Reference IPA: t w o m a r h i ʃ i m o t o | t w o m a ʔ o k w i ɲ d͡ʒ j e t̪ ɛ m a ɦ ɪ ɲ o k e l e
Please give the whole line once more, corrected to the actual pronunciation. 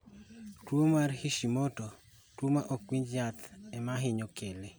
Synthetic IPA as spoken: t w o m a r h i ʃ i m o t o | t w o m a ʔ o k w i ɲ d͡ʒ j a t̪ ɛ m a ɦ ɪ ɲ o k e l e